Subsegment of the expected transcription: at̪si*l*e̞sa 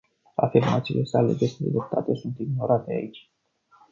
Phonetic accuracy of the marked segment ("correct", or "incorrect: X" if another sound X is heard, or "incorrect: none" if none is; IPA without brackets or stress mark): correct